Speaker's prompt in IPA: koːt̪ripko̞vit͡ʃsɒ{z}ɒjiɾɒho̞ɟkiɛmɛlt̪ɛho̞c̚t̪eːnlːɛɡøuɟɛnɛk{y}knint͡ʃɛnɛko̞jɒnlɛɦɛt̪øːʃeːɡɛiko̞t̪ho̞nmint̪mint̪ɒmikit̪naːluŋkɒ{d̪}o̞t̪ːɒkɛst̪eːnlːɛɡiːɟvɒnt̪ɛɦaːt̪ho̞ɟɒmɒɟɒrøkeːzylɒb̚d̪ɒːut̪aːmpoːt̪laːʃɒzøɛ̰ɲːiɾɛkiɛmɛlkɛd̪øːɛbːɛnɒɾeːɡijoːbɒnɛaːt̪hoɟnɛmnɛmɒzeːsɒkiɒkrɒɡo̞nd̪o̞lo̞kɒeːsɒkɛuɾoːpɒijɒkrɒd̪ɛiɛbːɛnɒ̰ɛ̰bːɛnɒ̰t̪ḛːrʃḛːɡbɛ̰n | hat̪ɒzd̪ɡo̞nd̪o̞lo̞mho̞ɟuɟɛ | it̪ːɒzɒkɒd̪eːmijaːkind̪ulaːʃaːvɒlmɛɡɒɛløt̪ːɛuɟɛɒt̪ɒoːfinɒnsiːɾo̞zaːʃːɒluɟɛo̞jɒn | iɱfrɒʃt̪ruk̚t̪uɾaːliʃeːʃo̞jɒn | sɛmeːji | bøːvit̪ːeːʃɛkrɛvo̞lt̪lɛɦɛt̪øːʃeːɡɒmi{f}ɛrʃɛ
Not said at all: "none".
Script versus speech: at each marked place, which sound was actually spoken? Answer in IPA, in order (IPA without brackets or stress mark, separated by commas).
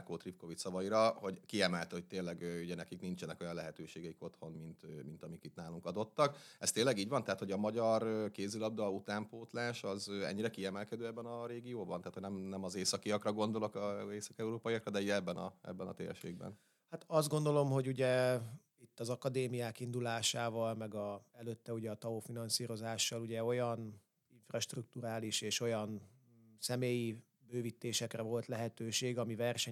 v, i, d̪, v